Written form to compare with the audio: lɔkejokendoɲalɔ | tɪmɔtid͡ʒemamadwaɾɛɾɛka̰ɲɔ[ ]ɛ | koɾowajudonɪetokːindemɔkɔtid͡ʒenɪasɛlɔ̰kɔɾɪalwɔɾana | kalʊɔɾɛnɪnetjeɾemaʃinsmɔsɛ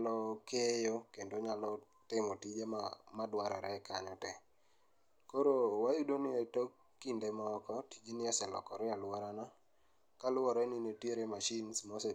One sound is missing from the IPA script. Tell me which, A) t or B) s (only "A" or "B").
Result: A